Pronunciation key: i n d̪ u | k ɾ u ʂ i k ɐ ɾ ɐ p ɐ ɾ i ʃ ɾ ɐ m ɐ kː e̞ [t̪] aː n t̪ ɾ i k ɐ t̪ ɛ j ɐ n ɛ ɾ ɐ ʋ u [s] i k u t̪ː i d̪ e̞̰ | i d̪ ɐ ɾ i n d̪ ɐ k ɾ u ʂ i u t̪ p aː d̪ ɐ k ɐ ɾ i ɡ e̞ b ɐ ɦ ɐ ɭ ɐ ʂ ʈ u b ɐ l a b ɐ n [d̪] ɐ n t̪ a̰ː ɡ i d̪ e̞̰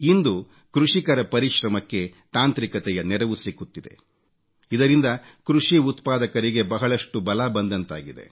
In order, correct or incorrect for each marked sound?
correct, correct, correct

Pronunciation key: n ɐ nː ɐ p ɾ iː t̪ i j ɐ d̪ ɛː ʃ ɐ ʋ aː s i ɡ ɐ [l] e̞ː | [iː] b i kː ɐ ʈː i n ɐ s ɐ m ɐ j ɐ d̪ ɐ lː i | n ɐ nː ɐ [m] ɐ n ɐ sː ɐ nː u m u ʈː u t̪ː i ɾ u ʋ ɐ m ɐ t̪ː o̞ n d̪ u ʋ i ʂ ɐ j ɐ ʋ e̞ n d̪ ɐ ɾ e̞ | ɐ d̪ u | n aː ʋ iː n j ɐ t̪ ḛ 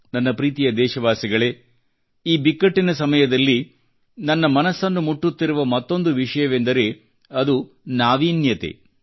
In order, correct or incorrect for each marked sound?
incorrect: ɭ, correct, correct

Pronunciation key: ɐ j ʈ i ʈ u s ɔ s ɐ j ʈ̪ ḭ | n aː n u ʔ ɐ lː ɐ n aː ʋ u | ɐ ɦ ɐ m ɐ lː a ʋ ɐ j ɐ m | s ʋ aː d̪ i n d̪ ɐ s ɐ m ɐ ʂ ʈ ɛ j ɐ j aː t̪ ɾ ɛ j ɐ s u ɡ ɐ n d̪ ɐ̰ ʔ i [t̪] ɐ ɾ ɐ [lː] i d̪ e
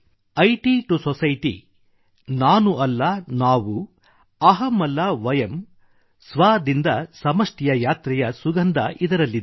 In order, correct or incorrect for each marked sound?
incorrect: d̪, correct

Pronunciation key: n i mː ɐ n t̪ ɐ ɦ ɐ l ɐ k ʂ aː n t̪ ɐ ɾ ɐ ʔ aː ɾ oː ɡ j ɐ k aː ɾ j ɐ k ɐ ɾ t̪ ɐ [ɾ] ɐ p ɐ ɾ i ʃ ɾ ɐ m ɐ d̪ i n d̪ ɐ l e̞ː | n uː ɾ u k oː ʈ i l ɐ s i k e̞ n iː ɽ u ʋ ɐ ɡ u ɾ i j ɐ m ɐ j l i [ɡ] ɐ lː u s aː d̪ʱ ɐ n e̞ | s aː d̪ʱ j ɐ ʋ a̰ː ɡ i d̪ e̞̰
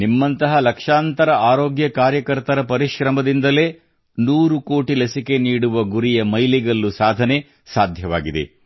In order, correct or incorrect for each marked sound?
correct, correct

